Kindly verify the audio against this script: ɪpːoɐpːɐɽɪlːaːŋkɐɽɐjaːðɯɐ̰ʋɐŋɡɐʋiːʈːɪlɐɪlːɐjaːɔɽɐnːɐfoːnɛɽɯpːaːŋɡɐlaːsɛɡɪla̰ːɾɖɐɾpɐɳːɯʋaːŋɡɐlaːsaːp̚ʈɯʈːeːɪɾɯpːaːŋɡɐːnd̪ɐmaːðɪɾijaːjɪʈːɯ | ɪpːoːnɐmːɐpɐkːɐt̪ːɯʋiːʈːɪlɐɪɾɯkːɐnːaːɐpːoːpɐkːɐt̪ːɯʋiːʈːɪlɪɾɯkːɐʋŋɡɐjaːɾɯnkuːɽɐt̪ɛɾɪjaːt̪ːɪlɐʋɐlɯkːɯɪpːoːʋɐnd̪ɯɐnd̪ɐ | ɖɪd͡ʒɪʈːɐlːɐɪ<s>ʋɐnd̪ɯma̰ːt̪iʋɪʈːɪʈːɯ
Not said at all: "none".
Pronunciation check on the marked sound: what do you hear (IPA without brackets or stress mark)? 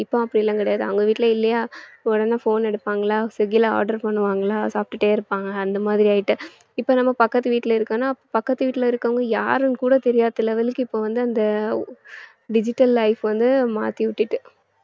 f